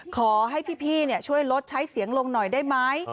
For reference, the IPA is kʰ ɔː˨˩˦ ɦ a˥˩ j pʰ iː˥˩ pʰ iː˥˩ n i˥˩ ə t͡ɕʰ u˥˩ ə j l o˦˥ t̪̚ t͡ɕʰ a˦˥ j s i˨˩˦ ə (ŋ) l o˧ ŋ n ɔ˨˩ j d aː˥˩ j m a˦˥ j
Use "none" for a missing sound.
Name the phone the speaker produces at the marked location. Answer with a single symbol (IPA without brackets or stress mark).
ŋ